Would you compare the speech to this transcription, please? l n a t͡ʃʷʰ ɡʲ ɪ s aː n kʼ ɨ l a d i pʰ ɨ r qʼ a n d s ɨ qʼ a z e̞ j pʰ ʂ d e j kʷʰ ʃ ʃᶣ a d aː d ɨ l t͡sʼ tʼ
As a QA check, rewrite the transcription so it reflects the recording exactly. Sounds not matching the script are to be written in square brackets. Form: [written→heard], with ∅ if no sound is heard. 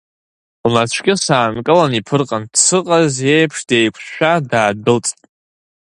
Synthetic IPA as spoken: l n a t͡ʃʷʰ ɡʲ ɪ s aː n kʼ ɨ l a [d→n] i pʰ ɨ r qʼ a n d s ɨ qʼ a z e̞ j pʰ ʂ d e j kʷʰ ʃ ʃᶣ a d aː d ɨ l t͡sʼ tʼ